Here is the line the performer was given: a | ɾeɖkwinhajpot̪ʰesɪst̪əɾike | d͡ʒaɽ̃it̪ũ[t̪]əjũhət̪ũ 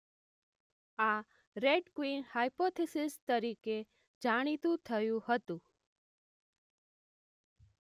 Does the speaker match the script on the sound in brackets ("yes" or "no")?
no